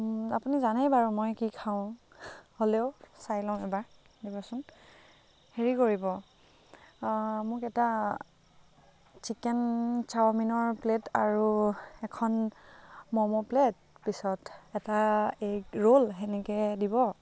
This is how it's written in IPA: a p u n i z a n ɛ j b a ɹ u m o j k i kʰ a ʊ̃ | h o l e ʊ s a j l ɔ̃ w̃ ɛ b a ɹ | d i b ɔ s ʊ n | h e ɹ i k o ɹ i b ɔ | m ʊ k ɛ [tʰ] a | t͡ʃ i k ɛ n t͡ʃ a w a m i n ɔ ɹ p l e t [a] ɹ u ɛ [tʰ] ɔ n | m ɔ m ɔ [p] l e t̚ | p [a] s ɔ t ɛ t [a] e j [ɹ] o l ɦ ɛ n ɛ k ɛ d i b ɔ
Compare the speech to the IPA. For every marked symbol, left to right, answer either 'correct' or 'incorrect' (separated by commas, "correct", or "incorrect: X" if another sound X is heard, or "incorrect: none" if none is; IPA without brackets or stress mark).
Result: incorrect: t, correct, incorrect: kʰ, correct, incorrect: i, correct, correct